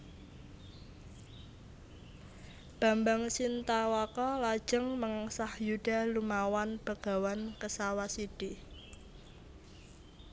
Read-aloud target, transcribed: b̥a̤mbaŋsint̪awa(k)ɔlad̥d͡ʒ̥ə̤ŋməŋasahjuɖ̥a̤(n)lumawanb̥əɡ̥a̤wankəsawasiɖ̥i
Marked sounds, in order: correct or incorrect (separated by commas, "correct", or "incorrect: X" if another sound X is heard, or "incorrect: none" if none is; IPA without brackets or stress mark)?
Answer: correct, incorrect: none